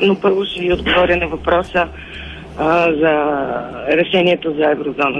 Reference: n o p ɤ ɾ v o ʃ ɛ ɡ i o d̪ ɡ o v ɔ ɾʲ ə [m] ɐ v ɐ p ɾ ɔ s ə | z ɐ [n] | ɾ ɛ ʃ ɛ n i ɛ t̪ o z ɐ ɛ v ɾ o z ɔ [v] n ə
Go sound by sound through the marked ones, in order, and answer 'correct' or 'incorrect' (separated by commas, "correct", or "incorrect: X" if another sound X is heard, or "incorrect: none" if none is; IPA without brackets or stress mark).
incorrect: n, incorrect: none, incorrect: none